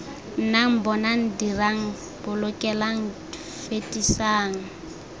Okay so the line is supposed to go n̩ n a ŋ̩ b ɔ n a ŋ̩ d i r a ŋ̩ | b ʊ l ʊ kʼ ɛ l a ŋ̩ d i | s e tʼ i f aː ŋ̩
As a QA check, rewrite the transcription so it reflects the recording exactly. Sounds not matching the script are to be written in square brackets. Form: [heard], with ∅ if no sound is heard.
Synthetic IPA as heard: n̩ n a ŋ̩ b ɔ n a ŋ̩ d i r a ŋ̩ | b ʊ l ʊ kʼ ɛ l a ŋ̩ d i | [f] e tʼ i [s] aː ŋ̩